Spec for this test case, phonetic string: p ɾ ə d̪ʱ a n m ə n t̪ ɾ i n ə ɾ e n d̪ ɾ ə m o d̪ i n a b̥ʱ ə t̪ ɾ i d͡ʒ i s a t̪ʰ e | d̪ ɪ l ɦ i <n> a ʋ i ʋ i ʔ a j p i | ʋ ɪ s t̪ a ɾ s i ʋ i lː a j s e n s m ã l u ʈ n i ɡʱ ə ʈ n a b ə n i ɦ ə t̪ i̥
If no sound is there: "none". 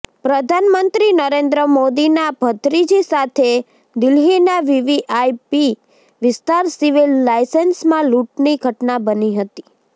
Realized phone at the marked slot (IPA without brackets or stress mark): n